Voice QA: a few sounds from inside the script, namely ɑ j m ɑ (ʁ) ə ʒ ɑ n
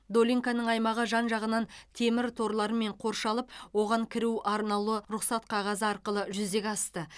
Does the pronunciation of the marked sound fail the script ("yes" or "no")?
no